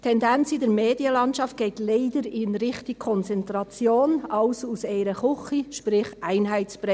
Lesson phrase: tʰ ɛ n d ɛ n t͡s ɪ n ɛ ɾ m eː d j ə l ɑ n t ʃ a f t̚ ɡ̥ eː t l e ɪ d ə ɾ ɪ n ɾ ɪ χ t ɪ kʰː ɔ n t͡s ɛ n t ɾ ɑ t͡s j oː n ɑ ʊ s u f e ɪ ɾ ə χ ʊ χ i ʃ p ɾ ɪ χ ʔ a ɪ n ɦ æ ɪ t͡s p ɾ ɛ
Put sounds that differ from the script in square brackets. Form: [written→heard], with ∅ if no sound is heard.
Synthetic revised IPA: tʰ ɛ n d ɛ n t͡s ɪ [n→d] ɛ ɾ m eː d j ə l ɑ n t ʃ [a→ɑ] f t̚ ɡ̥ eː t l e ɪ d ə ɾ ɪ n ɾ ɪ χ t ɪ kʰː ɔ n t͡s ɛ n t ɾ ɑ t͡s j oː n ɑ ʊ s u [f→s] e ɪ ɾ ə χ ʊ χ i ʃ p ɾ ɪ χ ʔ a ɪ n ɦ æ ɪ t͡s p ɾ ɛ